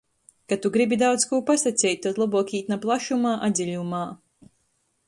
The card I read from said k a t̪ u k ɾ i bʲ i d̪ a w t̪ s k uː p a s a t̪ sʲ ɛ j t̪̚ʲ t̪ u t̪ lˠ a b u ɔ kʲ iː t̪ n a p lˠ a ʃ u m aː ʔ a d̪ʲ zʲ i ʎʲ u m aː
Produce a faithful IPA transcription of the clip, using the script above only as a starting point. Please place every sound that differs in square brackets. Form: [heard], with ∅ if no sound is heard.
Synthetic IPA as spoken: k a t̪ u [ɡ] ɾ i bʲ i d̪ a w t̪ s k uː p a s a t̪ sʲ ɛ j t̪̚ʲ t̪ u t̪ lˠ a b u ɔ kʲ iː t̪ n a p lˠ a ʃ u m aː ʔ a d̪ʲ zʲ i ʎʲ u m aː